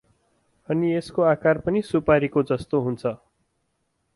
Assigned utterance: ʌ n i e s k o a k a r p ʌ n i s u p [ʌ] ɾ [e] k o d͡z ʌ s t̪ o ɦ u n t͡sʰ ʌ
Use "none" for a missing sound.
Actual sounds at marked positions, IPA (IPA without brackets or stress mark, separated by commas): a, i